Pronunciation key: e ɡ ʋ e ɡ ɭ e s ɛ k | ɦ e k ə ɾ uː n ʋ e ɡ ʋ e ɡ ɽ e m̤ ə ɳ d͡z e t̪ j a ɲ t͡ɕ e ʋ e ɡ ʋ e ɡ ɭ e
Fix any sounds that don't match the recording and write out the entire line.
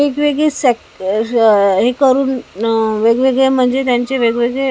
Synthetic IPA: e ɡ ʋ e ɡ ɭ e s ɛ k | ɦ e k ə ɾ uː n ʋ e ɡ ʋ e ɡ ɭ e m̤ ə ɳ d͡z e t̪ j a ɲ t͡ɕ e ʋ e ɡ ʋ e ɡ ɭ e